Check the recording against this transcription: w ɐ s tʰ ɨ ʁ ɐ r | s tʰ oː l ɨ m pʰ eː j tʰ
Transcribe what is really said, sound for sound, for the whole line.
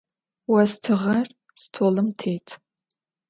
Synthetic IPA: w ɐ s tʰ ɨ ʁ ɐ r | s tʰ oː l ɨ m tʰ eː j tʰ